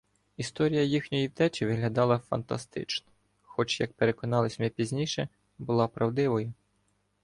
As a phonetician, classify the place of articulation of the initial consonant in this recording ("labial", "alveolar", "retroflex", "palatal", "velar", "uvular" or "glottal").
alveolar